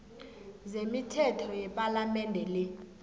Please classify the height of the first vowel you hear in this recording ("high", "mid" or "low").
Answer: mid